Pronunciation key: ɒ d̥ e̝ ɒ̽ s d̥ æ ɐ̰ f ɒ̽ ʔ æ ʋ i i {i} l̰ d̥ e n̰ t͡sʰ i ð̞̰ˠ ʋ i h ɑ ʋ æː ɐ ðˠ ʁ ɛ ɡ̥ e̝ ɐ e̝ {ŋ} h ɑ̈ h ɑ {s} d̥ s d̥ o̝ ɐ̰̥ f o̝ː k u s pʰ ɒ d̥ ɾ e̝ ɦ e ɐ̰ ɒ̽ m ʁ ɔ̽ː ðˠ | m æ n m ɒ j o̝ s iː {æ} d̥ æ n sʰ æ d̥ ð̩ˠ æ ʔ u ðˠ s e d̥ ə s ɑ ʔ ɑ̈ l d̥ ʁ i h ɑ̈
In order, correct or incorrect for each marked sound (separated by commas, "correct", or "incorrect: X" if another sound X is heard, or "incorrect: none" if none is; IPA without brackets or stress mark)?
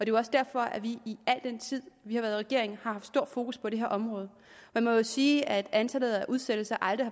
incorrect: æ, correct, incorrect: f, correct